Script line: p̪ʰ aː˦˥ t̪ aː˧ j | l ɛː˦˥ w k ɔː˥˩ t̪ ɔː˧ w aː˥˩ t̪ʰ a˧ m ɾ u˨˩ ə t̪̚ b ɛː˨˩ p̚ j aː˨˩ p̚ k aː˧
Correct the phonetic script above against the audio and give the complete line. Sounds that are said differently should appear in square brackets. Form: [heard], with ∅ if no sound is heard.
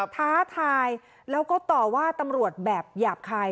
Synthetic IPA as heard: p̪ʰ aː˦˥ [t̪ʰ] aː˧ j | l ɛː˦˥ w k ɔː˥˩ t̪ [ɔː˨˩] w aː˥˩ [t̪] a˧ m ɾ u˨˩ ə t̪̚ b ɛː˨˩ p̚ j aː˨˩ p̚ [kʰ] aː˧